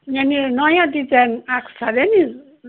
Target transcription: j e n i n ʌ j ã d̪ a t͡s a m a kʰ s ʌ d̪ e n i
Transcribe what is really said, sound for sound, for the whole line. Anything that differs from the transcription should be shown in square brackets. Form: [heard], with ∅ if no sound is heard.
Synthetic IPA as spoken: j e n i n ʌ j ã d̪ [i] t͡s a [n] a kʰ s [a] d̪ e n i